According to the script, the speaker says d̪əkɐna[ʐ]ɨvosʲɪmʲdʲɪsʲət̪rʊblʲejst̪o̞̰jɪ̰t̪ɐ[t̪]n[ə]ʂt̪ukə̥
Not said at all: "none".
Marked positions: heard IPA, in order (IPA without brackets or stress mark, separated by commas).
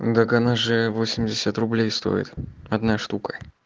ʐ, d̪, a